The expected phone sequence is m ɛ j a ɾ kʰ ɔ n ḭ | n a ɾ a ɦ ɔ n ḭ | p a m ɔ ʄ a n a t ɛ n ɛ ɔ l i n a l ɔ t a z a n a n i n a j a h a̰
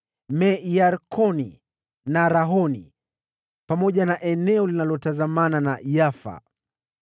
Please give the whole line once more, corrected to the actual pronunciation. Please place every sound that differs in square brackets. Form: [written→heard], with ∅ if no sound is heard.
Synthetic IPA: m ɛ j a ɾ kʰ ɔ n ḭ | n a ɾ a ɦ ɔ n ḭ | p a m ɔ ʄ a n a [t→ʔ] ɛ n ɛ ɔ l i n a l ɔ t a z a [n→m] a n [i→a] n a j a [h→f] a̰